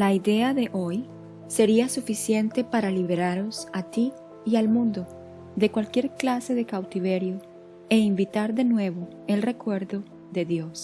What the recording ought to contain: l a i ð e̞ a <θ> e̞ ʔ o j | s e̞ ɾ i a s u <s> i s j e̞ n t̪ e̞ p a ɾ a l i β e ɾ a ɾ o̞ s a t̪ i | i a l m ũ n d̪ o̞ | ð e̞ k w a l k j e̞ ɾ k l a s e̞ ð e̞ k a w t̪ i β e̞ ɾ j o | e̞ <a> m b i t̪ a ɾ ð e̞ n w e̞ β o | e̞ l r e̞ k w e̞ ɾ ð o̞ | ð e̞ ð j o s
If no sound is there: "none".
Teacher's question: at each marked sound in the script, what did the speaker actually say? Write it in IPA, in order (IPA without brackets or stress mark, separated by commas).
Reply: ð, f, i